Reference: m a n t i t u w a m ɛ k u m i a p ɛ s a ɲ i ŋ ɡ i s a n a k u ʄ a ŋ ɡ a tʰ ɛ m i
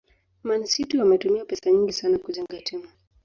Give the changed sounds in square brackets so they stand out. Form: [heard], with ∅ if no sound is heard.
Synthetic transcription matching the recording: m a n [s] i t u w a m ɛ [t] u m i a p ɛ s a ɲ i ŋ ɡ i s a n a k u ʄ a ŋ ɡ a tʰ ɛ m [a]